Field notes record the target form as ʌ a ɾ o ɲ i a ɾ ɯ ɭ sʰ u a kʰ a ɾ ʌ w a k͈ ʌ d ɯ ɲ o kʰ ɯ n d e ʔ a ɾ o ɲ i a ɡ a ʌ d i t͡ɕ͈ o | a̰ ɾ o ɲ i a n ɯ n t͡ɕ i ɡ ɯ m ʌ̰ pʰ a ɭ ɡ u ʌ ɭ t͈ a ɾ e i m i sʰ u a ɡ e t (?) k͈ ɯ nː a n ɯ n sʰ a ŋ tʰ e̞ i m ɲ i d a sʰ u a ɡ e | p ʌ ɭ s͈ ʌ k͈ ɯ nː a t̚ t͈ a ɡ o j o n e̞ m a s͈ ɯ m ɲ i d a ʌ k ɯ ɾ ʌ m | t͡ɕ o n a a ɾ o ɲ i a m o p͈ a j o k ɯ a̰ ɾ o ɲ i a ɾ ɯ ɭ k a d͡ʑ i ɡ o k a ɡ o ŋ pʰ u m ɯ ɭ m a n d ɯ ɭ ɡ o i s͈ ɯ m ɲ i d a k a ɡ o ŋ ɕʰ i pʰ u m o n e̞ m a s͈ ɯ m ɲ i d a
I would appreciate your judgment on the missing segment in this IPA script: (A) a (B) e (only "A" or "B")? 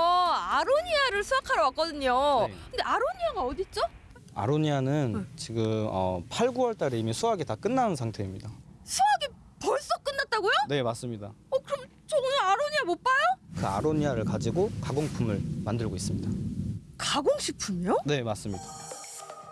A